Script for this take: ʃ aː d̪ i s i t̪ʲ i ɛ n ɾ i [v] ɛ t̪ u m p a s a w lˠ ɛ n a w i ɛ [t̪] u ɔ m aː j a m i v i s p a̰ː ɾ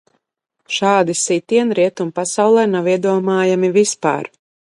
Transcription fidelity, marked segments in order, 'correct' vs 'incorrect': incorrect, incorrect

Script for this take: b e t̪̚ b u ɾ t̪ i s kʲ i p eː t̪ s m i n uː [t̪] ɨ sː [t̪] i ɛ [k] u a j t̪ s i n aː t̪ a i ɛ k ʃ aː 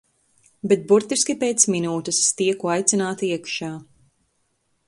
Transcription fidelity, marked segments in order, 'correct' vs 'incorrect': correct, correct, correct

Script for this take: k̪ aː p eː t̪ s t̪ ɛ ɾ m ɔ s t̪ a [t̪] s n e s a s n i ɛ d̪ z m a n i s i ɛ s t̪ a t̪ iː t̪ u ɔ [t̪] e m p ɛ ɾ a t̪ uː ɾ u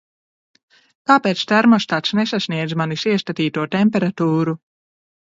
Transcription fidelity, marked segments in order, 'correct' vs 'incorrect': correct, correct

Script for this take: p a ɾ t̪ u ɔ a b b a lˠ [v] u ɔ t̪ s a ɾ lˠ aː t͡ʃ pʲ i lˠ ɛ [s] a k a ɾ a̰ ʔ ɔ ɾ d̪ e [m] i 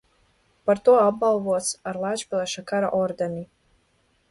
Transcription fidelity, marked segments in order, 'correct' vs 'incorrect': correct, incorrect, incorrect

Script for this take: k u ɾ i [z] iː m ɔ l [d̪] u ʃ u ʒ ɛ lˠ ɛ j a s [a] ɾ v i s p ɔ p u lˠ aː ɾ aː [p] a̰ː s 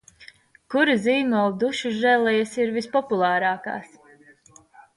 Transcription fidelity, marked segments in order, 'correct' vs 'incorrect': correct, correct, incorrect, incorrect

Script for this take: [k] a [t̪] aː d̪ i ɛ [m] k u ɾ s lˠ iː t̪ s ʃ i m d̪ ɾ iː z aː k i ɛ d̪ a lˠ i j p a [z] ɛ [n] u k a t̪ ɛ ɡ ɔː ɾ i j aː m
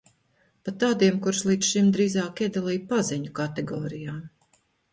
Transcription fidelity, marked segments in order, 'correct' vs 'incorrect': incorrect, correct, correct, correct, incorrect

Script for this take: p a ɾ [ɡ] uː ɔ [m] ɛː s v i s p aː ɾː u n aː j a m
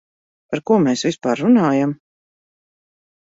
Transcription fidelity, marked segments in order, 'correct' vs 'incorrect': incorrect, correct

